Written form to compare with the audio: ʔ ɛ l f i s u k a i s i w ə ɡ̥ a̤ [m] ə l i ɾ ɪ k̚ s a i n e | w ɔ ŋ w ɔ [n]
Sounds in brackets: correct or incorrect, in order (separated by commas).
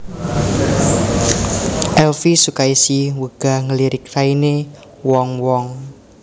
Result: incorrect, incorrect